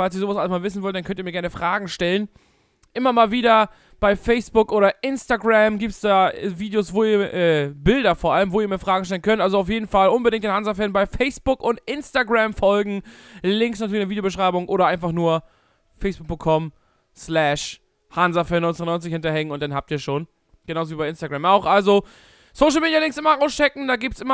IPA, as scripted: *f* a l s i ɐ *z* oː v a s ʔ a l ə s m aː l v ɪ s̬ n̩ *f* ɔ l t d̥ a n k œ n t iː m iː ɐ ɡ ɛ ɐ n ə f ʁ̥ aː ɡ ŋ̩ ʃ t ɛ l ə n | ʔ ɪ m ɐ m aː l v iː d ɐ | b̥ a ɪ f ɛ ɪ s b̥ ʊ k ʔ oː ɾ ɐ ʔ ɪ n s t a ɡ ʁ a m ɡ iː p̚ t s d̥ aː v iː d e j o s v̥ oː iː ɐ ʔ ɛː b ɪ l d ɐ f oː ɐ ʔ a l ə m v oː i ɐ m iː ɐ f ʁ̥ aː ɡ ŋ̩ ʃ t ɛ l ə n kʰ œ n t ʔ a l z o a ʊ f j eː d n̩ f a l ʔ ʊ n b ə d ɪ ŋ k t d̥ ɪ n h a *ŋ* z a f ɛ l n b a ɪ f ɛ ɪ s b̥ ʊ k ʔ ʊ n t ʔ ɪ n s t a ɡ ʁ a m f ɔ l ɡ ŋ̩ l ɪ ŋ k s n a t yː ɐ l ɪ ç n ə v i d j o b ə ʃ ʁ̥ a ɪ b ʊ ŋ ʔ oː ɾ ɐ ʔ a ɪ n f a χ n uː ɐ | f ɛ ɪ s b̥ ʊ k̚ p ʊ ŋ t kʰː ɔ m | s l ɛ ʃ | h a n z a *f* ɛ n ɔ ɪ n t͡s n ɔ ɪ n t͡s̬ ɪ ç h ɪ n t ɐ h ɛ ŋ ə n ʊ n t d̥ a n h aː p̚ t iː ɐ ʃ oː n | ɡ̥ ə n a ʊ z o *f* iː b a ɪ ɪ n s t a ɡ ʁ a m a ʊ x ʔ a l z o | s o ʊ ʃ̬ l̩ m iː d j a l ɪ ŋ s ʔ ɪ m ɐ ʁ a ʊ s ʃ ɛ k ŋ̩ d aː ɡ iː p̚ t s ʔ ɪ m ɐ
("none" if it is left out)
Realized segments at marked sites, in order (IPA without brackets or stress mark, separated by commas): f, z, v, n, f, v